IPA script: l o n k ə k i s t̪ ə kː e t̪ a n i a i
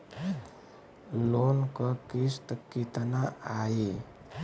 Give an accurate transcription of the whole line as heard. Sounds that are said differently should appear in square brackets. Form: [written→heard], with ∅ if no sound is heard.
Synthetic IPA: l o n k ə k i s t̪ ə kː [e→i] t̪ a n [i→a] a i